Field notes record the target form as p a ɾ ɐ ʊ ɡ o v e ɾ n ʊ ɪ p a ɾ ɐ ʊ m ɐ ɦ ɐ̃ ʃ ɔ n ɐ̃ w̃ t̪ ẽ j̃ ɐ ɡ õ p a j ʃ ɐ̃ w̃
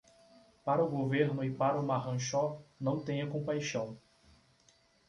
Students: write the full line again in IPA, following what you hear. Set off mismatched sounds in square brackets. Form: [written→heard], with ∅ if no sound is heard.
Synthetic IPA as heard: p a ɾ ɐ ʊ ɡ o v e ɾ n ʊ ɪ p a ɾ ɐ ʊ m [ɐ→a] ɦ ɐ̃ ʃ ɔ n ɐ̃ w̃ t̪ ẽ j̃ ɐ [ɡ→k] õ p a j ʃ ɐ̃ w̃